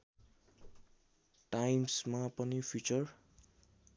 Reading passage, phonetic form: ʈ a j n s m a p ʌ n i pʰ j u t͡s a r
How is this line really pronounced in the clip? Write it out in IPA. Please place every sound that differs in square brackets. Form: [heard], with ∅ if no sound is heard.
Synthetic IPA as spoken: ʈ a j [m] s m a p ʌ n i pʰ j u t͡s [ʌ] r